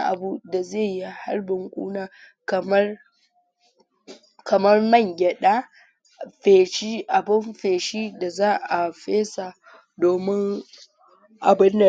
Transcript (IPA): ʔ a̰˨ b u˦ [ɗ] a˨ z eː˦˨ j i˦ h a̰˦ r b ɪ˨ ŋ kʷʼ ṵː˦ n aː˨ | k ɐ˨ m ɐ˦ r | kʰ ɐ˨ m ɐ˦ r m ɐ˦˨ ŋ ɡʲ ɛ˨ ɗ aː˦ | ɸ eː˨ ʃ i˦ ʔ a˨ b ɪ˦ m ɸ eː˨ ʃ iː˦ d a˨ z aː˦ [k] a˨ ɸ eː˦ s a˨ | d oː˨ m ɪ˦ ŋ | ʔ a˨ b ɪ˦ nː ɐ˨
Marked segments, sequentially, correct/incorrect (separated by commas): incorrect, incorrect